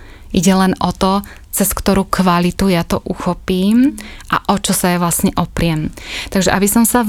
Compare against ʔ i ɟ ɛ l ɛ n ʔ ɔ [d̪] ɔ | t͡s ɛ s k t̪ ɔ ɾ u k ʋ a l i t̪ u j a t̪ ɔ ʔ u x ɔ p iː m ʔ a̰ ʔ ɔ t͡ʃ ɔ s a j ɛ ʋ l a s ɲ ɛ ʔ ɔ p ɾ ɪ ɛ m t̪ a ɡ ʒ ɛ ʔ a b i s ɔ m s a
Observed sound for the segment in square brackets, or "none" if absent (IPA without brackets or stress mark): t̪